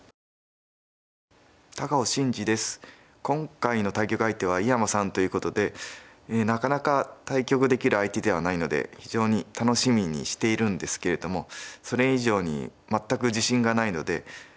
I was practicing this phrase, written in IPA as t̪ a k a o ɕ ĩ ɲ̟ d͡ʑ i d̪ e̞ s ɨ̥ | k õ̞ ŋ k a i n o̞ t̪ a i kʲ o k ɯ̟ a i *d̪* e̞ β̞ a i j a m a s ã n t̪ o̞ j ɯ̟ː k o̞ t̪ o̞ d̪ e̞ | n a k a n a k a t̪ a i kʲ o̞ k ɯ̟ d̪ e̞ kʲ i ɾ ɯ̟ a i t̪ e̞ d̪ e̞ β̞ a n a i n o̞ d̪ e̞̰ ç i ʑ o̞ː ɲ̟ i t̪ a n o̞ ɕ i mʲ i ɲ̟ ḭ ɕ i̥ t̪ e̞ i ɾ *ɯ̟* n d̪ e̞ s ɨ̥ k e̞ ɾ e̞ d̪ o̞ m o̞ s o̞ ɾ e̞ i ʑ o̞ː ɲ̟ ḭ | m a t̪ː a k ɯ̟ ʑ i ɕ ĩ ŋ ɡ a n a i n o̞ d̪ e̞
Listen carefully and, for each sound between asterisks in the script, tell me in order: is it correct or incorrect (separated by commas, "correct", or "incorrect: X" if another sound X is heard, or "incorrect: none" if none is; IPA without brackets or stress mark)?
incorrect: t̪, incorrect: ɯ̟̃